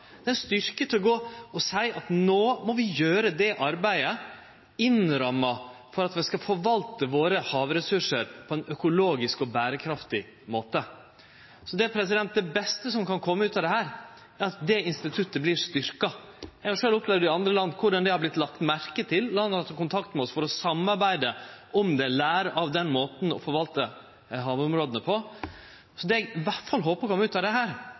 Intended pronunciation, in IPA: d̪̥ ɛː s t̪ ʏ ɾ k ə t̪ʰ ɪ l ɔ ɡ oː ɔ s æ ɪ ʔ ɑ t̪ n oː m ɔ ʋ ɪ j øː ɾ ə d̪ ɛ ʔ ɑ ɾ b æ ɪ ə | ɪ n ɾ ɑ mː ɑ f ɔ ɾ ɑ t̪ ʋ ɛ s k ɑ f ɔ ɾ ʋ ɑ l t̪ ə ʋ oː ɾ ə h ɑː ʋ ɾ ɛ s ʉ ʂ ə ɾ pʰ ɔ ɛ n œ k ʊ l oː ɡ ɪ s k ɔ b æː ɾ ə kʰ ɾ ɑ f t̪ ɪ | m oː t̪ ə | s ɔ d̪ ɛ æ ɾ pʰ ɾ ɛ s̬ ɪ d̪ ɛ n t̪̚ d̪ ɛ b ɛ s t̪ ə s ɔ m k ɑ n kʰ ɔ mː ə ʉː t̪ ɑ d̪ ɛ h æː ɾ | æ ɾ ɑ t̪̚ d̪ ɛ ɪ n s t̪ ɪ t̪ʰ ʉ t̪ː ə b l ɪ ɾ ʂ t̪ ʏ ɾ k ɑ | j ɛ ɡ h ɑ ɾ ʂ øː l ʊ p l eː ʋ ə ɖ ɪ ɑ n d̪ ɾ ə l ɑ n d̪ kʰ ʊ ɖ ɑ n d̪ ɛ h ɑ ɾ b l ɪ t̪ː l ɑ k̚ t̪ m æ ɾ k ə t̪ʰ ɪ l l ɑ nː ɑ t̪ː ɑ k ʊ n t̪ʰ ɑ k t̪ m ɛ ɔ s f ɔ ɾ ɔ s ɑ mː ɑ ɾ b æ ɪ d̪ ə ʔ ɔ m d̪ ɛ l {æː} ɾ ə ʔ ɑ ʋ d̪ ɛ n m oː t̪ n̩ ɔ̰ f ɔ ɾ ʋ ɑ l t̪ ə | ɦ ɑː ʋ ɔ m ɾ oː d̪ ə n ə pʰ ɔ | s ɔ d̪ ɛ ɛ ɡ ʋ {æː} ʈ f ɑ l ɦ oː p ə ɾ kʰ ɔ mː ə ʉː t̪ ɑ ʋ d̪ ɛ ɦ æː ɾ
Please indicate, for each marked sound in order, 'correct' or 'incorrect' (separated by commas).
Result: correct, incorrect